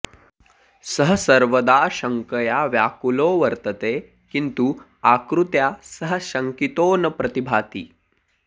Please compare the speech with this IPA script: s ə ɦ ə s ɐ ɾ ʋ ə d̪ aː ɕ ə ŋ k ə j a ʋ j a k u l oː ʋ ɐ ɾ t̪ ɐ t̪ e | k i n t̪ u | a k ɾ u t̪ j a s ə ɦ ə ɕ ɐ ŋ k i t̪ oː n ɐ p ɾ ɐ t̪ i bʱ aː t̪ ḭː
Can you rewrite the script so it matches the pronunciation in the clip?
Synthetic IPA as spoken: s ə ɦ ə s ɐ ɾ ʋ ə d̪ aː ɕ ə ŋ k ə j a ʋ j a k u l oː ʋ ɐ ɾ t̪ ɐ t̪ e | k i n t̪ u | a k ɾ u t̪ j a s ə ɦ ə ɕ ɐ ŋ k i t̪ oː n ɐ p ɾ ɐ t̪ i bʱ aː t̪ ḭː